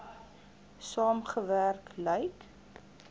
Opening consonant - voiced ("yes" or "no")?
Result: no